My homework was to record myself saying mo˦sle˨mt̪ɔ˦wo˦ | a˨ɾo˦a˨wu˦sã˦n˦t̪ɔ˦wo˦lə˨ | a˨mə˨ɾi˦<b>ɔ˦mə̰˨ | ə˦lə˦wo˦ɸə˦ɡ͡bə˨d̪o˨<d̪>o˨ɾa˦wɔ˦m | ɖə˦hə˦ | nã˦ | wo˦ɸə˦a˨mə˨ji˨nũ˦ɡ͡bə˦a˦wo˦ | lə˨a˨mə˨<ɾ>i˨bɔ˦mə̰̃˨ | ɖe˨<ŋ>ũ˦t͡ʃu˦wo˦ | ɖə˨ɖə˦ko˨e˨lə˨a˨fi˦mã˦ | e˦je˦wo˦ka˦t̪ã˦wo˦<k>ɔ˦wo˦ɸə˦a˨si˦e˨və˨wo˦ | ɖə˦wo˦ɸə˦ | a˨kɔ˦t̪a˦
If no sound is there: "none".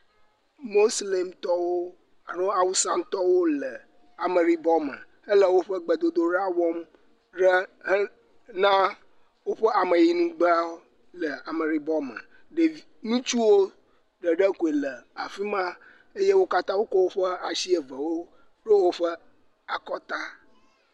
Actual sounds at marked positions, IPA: b, d̪, ɾ, n, k

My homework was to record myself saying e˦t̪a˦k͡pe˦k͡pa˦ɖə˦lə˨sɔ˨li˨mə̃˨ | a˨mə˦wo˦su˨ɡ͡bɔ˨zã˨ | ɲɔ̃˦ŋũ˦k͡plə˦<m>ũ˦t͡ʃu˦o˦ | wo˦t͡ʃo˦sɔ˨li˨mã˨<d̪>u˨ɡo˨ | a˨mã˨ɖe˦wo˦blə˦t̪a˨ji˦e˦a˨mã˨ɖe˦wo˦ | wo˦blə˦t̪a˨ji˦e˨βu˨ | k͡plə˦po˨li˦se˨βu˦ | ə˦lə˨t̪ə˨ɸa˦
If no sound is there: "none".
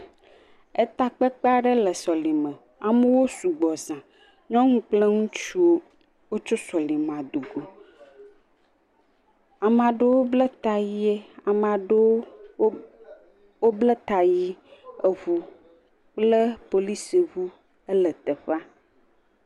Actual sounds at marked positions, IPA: ŋ, d̪

